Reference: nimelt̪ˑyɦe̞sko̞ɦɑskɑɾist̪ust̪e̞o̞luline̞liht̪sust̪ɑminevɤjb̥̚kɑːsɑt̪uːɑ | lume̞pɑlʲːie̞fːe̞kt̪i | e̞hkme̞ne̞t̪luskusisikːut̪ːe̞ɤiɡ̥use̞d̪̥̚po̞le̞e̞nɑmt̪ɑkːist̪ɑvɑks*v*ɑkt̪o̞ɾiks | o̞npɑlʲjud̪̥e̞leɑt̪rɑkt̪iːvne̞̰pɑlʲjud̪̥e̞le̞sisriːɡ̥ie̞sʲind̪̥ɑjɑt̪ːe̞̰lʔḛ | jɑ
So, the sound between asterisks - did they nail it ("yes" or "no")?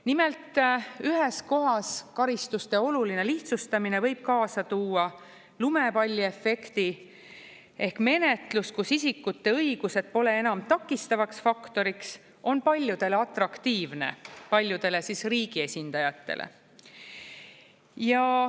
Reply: no